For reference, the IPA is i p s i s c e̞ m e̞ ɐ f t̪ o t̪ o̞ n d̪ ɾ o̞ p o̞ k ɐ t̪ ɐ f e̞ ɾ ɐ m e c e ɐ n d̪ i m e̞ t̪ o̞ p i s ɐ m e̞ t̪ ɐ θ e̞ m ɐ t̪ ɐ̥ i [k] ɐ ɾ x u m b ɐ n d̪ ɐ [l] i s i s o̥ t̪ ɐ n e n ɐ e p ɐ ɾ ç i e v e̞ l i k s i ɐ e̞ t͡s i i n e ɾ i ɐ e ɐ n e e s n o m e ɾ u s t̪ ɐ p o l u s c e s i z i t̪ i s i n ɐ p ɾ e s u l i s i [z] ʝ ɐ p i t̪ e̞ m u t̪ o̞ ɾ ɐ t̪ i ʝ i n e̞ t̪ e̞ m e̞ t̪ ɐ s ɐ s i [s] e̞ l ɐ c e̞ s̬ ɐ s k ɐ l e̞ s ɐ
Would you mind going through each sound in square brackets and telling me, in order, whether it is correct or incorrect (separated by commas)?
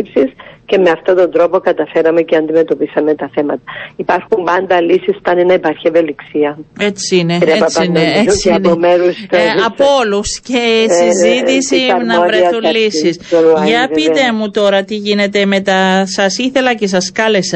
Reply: incorrect, correct, incorrect, incorrect